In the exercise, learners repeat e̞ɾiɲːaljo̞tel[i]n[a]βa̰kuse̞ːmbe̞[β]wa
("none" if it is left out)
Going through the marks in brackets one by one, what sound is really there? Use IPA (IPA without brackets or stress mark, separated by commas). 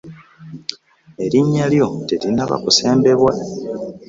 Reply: i, a, β